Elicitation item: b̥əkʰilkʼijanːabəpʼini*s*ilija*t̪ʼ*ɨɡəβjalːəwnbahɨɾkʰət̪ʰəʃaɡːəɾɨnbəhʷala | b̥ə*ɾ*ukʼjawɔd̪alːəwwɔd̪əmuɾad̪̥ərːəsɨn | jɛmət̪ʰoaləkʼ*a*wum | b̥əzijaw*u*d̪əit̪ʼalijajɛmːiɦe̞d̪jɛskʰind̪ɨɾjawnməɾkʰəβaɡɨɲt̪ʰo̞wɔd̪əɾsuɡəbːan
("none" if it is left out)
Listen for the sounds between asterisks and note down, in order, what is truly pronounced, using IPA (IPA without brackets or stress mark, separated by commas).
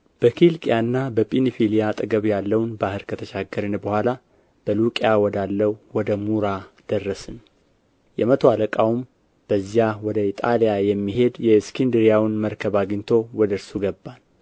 f, t̪ʼ, l, a, ɔ